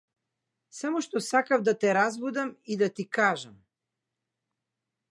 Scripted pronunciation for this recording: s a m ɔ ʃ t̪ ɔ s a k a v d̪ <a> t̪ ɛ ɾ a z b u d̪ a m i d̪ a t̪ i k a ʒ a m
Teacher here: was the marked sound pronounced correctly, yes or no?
yes